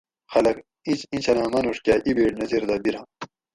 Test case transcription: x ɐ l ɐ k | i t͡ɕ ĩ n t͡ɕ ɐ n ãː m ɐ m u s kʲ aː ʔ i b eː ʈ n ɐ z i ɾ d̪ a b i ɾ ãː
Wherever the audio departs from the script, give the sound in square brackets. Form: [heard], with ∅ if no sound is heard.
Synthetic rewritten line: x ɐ l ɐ k | i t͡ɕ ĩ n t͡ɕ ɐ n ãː m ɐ [n] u [ʂ] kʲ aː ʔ i b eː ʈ n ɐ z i ɾ d̪ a b i ɾ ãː